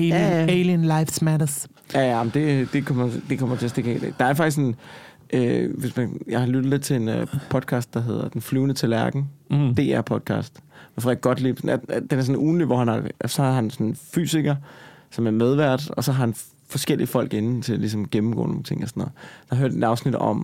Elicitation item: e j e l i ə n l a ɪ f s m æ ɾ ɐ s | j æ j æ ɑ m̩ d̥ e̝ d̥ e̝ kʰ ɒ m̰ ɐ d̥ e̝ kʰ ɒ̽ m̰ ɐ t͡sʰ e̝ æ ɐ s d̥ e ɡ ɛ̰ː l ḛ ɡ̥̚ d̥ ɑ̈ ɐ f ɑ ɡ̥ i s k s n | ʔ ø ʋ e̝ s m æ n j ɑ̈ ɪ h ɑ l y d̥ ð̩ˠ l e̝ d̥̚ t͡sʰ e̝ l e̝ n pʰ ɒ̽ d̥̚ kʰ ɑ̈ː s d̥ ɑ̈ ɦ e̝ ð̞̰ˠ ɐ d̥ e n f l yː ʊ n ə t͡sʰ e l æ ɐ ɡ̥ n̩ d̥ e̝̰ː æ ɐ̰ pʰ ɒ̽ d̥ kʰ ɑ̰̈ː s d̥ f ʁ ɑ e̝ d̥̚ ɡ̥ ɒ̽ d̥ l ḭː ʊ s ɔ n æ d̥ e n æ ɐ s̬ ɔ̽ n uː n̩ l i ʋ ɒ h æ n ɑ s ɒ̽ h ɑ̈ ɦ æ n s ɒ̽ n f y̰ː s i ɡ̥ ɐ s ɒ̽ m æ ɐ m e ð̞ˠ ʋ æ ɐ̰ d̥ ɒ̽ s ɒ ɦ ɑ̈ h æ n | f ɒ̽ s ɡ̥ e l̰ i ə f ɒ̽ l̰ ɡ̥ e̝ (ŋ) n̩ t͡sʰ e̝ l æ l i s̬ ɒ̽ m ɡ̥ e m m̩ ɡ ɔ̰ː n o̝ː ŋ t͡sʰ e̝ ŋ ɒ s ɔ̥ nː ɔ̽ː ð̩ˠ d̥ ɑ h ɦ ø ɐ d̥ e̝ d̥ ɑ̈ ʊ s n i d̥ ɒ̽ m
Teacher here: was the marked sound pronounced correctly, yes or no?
no